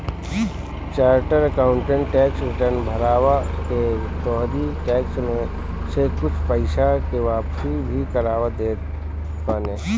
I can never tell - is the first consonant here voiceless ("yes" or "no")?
yes